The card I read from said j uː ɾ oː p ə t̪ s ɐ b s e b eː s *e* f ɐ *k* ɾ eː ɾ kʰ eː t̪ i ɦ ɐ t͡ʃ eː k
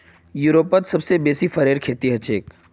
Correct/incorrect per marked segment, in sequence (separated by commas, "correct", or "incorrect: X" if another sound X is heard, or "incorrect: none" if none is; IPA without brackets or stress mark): incorrect: i, incorrect: none